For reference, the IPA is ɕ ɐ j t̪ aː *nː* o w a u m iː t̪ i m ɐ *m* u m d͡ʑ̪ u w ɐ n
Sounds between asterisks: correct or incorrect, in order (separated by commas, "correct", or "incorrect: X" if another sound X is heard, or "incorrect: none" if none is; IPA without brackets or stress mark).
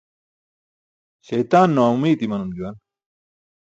correct, incorrect: n